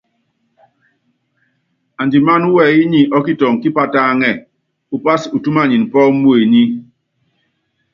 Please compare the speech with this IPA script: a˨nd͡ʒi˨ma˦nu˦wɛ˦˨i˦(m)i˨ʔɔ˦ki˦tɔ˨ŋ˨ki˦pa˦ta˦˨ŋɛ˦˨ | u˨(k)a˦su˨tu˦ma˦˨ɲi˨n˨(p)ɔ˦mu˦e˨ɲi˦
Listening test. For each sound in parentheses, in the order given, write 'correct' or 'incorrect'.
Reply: incorrect, incorrect, correct

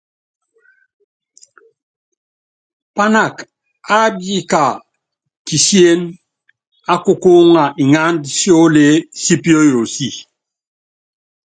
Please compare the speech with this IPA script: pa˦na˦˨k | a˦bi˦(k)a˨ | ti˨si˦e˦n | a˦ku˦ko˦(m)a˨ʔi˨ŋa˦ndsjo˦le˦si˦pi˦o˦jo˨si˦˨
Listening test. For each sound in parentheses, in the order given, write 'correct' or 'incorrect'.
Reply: correct, incorrect

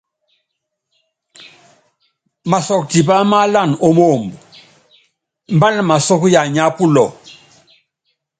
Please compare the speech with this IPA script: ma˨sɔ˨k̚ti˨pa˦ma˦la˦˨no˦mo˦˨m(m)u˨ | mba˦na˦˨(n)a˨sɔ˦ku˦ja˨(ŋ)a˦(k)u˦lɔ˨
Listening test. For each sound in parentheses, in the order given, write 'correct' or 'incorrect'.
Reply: incorrect, incorrect, incorrect, incorrect

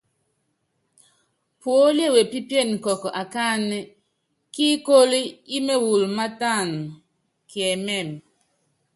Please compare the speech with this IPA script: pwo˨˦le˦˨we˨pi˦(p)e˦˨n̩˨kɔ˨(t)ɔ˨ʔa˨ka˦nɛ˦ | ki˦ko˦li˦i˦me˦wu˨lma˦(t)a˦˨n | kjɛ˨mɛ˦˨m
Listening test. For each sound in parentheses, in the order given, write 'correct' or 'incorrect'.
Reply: correct, incorrect, correct

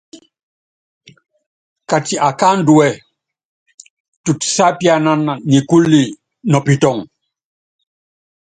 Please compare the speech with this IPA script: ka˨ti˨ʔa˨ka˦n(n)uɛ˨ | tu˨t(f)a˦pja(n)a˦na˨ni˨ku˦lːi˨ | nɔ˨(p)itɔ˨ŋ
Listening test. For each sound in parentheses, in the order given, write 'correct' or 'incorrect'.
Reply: incorrect, incorrect, correct, correct

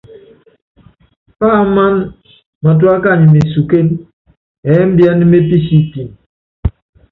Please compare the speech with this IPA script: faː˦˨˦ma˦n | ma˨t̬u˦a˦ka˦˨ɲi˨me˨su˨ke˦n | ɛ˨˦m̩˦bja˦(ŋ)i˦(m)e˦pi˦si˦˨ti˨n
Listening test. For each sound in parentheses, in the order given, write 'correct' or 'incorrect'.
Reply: incorrect, correct

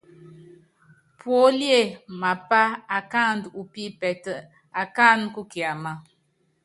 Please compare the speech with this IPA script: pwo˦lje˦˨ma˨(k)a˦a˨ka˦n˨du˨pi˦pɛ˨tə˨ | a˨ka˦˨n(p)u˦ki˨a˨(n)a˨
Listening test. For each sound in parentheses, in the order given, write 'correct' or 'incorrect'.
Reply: incorrect, incorrect, incorrect

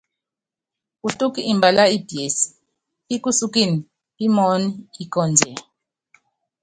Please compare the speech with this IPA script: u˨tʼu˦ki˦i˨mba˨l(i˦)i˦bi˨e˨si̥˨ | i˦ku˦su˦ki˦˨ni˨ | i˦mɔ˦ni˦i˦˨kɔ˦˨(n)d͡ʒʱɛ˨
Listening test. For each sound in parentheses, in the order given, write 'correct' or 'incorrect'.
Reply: incorrect, correct

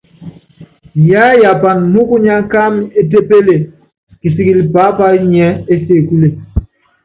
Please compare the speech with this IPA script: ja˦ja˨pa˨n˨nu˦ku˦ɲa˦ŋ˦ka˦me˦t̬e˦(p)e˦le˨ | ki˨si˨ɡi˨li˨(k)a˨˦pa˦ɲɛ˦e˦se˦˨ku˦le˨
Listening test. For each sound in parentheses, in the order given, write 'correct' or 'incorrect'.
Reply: correct, incorrect

